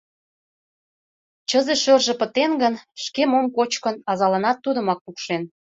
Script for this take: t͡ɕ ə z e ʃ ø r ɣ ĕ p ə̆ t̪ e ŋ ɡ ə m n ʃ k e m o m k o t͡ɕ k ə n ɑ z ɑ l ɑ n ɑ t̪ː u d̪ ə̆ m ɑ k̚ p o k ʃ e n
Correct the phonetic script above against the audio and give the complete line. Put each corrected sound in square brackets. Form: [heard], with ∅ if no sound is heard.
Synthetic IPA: t͡ɕ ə z e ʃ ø r [ʒ] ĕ p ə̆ t̪ e [n] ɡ ə [∅] n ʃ k e m o m k o t͡ɕ k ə n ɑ z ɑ l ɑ n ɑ t̪ː u d̪ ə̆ m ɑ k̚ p [u] k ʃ e n

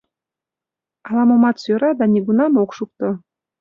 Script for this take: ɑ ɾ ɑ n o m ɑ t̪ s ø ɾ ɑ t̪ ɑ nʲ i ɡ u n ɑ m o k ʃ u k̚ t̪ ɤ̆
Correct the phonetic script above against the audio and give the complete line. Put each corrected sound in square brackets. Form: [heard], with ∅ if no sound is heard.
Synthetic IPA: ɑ [l] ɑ [m] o m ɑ t̪ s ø ɾ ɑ [d̪] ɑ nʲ i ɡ u n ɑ m o k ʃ u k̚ t̪ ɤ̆

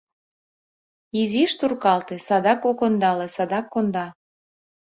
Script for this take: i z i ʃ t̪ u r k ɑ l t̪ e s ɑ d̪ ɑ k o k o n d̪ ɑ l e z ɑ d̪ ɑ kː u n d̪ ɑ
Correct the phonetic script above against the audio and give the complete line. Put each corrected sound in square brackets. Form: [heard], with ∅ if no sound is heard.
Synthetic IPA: i z i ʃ t̪ u r k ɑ l t̪ e s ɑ d̪ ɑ k o k o n d̪ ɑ l e [s] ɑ d̪ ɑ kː [o] n d̪ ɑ

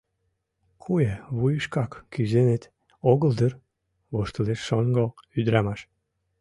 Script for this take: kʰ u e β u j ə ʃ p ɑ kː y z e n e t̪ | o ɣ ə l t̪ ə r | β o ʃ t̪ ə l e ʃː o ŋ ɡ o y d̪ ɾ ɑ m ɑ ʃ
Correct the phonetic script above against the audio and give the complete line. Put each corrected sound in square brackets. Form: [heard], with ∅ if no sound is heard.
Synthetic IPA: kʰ u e β u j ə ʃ [k] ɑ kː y z e n e t̪ | o ɣ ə l [d̪] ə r | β o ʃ t̪ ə l e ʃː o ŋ ɡ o y d̪ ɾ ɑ m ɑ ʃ

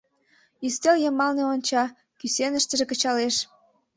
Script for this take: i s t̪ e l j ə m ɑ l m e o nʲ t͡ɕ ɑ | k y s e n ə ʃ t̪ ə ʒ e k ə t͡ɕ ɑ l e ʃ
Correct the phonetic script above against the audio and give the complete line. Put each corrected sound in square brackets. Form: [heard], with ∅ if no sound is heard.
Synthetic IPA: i s t̪ e l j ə m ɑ l [n] e o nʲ t͡ɕ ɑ | k y s e n ə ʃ t̪ ə ʒ e k ə t͡ɕ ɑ l e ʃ

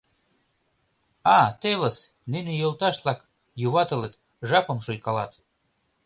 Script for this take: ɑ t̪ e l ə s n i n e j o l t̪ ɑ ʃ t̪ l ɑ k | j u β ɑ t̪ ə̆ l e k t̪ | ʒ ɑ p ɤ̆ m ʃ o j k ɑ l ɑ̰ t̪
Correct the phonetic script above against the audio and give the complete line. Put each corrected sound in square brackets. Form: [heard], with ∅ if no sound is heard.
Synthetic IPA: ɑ t̪ e l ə s n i n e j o l t̪ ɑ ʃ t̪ l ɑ k | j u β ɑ t̪ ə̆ l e [∅] t̪ | ʒ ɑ p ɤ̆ m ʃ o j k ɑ l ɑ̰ t̪

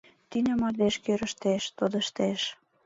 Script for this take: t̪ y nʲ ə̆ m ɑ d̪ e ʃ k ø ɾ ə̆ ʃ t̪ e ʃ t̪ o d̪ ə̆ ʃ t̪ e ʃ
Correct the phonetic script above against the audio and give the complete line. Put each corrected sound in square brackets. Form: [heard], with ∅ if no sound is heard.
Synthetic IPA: t̪ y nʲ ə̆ m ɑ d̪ e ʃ k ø ɾ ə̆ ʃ t̪ e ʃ t̪ o d̪ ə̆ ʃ t̪ e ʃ

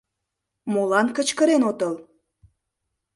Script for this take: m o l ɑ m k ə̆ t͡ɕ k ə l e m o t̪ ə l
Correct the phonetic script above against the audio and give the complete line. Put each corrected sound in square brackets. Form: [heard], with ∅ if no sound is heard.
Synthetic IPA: m o l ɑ [n] k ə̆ t͡ɕ k ə [ɾ] e [n] o t̪ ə l

